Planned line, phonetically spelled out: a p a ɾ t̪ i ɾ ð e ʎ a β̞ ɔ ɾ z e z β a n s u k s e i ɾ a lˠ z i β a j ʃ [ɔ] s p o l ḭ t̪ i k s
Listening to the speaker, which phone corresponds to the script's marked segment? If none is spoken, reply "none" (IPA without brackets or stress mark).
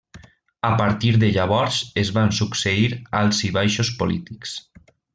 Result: o